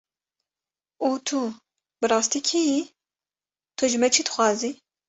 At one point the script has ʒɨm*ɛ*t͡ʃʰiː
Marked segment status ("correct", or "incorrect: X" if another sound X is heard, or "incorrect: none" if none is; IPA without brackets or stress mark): correct